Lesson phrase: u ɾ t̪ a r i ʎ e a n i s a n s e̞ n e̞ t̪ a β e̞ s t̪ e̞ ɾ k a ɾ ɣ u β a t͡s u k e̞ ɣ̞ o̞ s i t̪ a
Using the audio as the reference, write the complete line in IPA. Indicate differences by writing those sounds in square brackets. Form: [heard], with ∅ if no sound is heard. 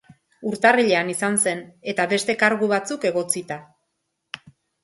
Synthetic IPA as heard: u ɾ t̪ a r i ʎ e a n i s a n s e̞ n e̞ t̪ a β e̞ s t̪ e̞ [∅] k a ɾ ɣ u β a t͡s u k e̞ ɣ̞ o̞ [t͡s] i t̪ a